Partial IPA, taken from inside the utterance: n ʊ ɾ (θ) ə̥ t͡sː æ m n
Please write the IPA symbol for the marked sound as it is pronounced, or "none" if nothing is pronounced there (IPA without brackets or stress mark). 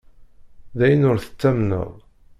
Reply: θ